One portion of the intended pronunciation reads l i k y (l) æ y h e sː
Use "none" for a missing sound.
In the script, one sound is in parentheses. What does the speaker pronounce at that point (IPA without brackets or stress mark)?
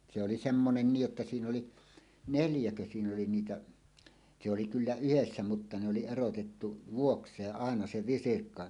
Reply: lː